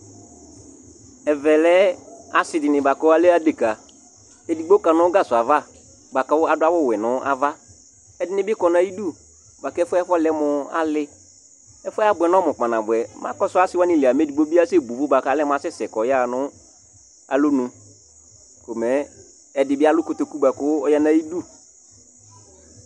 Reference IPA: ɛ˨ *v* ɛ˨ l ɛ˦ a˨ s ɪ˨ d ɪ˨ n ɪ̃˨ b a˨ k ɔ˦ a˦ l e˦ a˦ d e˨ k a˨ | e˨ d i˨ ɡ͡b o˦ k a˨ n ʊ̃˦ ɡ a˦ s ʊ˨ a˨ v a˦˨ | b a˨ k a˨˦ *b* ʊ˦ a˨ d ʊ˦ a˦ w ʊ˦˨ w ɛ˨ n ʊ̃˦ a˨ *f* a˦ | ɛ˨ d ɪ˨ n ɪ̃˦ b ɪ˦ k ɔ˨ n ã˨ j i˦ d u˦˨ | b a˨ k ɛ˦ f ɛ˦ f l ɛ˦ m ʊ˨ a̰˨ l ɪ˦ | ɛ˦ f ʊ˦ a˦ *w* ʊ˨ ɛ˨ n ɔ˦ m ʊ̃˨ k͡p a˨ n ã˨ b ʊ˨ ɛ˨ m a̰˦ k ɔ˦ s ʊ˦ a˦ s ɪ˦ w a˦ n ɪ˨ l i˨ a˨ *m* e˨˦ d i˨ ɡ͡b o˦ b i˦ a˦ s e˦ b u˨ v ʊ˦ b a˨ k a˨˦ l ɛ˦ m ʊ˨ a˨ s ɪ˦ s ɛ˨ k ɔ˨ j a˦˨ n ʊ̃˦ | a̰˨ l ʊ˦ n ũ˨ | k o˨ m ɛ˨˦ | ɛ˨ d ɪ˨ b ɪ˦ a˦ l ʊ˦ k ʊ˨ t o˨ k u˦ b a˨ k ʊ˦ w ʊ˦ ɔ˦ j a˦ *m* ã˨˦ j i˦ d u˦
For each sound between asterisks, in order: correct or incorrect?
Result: correct, incorrect, incorrect, incorrect, correct, incorrect

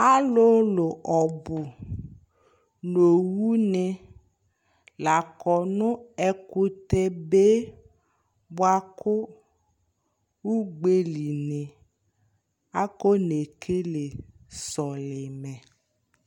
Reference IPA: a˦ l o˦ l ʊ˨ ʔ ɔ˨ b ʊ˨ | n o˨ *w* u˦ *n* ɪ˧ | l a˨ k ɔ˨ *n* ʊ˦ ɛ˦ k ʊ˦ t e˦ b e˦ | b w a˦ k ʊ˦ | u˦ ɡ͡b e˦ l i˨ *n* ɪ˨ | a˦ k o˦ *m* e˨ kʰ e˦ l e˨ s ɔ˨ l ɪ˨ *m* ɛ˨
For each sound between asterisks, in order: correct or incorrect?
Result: correct, correct, correct, correct, incorrect, correct

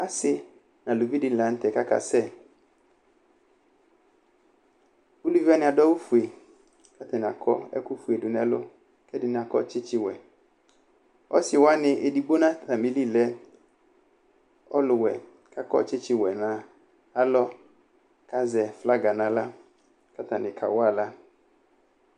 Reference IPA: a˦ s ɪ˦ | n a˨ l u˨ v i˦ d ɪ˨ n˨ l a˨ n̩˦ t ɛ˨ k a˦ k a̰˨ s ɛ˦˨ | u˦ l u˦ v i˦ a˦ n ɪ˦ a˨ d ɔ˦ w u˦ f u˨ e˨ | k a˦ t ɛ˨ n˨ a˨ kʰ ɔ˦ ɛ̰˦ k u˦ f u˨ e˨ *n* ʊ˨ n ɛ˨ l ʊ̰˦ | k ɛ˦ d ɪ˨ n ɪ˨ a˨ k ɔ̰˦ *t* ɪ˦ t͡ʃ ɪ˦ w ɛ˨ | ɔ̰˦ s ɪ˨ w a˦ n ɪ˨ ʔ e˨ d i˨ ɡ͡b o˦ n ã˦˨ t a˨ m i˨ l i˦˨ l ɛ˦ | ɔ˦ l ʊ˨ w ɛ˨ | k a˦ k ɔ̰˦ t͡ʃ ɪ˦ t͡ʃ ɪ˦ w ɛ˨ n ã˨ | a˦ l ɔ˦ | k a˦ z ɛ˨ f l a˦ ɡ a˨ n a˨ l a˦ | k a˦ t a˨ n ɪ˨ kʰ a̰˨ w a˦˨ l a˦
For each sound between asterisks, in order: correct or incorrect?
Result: incorrect, incorrect

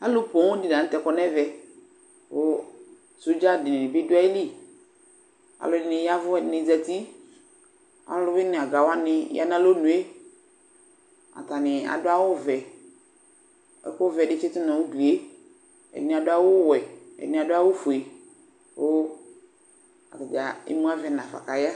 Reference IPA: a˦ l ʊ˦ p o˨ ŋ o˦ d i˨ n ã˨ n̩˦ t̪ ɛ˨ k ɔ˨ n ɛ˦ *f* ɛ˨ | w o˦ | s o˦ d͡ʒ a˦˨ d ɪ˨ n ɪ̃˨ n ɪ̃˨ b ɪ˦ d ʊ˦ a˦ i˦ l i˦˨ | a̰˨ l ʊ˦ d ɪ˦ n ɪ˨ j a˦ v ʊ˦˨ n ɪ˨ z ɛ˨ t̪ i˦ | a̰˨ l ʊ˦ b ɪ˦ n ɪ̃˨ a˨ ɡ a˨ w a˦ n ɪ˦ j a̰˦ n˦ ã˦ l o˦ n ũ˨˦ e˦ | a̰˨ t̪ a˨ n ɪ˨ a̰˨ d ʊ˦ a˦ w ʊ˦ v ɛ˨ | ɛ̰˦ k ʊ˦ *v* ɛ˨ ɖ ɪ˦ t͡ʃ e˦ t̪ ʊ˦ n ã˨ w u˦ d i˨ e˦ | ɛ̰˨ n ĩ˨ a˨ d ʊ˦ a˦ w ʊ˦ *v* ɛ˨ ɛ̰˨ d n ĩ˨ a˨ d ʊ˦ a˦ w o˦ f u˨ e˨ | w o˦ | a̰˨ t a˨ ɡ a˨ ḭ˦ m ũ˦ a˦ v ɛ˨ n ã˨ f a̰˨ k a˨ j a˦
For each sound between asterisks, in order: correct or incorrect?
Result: incorrect, correct, incorrect

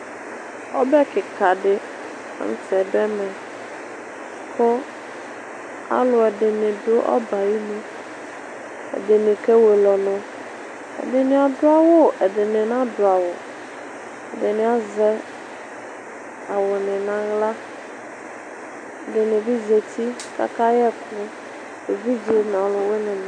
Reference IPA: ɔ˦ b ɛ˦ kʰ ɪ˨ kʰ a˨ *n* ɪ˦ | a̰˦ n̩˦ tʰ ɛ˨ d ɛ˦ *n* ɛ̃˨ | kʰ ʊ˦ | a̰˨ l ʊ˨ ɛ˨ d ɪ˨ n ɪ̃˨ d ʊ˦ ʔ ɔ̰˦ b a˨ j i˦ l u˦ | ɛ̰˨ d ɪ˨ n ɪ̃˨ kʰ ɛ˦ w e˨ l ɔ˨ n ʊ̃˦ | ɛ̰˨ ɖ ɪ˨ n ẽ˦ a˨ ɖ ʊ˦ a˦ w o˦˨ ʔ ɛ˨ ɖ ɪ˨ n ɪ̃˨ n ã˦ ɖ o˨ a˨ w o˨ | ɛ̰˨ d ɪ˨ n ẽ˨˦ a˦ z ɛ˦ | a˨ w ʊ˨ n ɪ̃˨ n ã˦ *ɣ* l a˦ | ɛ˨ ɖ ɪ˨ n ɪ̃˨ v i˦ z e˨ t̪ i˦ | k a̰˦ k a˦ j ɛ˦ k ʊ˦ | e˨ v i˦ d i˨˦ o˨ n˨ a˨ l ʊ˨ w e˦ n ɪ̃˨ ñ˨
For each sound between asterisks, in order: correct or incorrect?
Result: incorrect, incorrect, correct

